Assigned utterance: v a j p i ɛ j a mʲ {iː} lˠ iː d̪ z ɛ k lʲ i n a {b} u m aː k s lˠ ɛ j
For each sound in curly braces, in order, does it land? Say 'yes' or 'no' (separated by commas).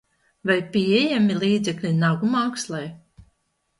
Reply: no, no